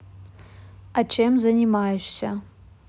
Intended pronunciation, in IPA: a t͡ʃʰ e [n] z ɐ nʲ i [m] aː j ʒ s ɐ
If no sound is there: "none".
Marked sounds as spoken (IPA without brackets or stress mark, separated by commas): m, m